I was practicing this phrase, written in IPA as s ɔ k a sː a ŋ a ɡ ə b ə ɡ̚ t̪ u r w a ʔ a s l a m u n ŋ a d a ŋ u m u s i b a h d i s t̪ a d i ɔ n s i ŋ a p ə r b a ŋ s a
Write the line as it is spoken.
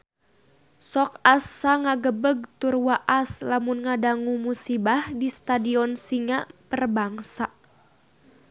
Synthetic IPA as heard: s ɔ k a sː a ŋ a ɡ ə b ə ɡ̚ t̪ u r w a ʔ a s l a m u n ŋ a d a ŋ u m u s i b a h d i s t̪ a d i ɔ n s i ŋ a p ə r b a ŋ s a